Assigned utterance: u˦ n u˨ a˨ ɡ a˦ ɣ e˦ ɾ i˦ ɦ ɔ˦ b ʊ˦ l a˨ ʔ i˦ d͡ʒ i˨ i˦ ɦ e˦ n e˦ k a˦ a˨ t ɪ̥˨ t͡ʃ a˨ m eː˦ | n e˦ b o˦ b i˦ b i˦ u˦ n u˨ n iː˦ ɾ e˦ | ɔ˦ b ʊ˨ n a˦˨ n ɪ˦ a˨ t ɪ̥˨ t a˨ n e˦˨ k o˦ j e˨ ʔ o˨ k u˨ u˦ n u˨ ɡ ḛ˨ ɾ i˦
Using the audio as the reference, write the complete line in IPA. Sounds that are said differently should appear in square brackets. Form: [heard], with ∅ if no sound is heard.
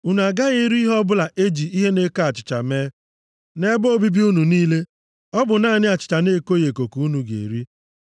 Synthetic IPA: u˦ n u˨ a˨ ɡ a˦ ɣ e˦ ɾ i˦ ɦ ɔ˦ b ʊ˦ l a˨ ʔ [e˦] d͡ʒ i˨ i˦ ɦ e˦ n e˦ k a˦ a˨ [t͡ʃ] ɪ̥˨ t͡ʃ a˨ m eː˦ | n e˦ b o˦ b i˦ b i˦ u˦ n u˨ n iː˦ [l] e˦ | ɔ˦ b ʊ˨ n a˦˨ n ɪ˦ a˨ [t͡ʃ] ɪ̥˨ [t͡ʃ] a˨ n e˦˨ k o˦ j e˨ [k] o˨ k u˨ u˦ n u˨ ɡ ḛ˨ ɾ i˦

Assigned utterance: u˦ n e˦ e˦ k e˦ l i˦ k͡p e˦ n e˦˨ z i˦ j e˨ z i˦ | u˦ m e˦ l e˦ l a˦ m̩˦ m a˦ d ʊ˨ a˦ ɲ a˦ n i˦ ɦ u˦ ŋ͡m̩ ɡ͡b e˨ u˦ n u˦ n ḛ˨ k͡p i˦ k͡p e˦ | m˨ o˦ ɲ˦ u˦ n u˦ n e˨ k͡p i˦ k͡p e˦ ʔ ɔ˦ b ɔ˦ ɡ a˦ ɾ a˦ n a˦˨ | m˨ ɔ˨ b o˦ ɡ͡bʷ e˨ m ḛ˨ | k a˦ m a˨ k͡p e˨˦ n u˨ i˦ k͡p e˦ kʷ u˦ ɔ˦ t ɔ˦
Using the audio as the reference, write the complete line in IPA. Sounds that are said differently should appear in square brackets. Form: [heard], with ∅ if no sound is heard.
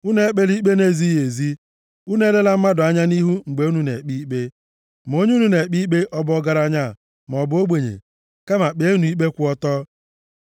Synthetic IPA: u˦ n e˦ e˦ [k͡p] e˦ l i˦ k͡p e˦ n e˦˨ z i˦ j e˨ z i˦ | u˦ [n] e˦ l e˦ l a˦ m̩˦ m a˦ d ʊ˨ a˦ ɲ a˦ n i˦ ɦ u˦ ŋ͡m̩ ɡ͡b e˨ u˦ n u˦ n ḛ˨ k͡p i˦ k͡p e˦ | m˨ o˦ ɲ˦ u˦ n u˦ n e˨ k͡p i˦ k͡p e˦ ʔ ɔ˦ b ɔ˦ ɡ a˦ ɾ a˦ [ɲ] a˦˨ | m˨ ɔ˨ b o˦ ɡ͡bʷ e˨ [ɲ] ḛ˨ | k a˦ m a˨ k͡p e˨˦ n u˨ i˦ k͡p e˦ kʷ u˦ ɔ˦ t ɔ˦

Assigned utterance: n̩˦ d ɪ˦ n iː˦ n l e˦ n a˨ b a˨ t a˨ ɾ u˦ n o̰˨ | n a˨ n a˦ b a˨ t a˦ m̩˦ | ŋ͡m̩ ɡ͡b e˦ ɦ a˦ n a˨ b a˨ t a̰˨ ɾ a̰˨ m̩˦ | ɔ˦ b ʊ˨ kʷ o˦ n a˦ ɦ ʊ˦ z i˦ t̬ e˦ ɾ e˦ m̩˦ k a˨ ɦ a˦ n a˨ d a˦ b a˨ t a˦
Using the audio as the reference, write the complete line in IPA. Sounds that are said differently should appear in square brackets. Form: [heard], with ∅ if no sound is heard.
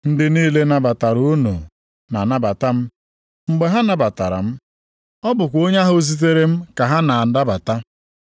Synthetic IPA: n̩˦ d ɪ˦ n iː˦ [∅] l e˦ n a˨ b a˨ t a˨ ɾ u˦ n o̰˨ | n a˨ n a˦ b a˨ t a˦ m̩˦ | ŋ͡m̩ ɡ͡b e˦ ɦ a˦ n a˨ b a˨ t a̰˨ ɾ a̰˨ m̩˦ | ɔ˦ b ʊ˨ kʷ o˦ [ɲ] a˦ ɦ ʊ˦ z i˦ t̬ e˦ ɾ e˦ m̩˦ k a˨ ɦ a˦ n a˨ d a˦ b a˨ t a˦

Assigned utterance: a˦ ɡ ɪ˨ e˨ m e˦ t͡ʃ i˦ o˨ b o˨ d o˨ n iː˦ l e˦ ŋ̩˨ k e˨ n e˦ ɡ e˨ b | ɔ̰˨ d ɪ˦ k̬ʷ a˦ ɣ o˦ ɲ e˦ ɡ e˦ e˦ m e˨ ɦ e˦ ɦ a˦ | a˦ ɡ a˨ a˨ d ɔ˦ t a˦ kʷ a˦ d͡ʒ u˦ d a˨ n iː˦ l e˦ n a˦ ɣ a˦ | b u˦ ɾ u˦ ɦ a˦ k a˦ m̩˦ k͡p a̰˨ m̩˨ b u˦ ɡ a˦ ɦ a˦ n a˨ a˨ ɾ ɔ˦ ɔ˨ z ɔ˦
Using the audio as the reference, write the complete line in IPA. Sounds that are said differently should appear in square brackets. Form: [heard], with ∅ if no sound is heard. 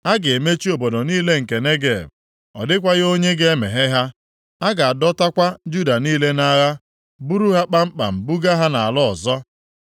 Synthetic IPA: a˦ ɡ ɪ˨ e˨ m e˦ t͡ʃ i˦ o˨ b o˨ d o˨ n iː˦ l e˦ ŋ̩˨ k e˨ n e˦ ɡ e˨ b | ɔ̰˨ d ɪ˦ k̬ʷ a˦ ɣ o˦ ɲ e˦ ɡ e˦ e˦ m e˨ ɦ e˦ ɦ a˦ | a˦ ɡ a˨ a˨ d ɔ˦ t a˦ kʷ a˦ d͡ʒ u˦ d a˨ n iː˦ l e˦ n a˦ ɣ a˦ | b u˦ ɾ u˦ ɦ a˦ [k͡p] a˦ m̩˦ k͡p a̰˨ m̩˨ b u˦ ɡ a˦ ɦ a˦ n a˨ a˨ [l] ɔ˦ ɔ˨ z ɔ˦

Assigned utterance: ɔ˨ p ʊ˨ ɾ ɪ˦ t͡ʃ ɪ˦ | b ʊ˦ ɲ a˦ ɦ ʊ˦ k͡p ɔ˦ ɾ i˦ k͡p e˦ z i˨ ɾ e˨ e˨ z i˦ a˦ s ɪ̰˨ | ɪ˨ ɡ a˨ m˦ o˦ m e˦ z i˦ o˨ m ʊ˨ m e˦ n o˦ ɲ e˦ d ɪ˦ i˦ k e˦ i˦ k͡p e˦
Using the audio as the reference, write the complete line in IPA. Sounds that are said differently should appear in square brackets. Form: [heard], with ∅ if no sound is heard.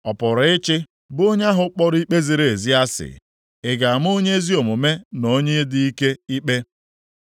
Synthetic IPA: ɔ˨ p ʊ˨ ɾ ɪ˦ t͡ʃ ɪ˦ | b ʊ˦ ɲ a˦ ɦ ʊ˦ k͡p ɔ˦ ɾ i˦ k͡p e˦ z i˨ ɾ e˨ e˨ z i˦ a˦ s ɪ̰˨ | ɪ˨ ɡ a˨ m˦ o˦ [ɲ] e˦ z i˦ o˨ m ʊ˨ m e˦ n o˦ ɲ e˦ d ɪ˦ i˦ k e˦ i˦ k͡p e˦

